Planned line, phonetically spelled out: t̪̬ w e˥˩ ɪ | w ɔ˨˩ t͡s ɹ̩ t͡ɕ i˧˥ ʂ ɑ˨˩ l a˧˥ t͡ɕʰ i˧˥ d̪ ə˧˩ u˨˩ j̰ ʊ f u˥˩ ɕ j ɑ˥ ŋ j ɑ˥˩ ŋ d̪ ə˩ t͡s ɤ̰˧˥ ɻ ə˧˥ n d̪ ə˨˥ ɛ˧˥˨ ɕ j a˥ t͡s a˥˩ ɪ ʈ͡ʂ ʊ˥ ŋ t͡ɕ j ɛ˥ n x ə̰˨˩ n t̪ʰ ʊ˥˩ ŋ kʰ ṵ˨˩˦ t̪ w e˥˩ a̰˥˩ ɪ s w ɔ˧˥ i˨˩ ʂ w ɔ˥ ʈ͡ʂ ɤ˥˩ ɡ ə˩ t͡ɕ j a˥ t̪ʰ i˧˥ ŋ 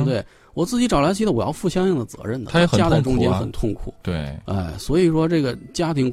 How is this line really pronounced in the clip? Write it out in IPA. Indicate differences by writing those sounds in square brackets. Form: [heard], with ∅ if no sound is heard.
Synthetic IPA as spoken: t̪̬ w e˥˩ ɪ | w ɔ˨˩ t͡s ɹ̩ t͡ɕ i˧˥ [ʈ͡ʂ] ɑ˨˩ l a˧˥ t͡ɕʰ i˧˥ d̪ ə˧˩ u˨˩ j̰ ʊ f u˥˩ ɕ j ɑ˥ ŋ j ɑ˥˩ ŋ d̪ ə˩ t͡s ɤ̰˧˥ ɻ [ə˥˩] n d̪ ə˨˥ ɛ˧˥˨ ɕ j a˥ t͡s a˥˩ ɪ ʈ͡ʂ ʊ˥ ŋ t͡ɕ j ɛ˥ n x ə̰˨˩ n t̪ʰ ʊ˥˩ ŋ kʰ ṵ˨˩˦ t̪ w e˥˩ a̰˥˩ ɪ s w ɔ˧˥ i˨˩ ʂ w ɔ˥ ʈ͡ʂ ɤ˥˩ ɡ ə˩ t͡ɕ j a˥ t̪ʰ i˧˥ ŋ